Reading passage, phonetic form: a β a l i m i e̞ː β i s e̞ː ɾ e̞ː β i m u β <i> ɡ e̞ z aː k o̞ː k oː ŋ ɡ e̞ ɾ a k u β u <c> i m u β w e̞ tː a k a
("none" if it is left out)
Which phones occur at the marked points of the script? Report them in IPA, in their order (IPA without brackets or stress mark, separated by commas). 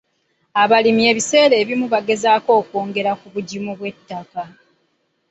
a, ɟ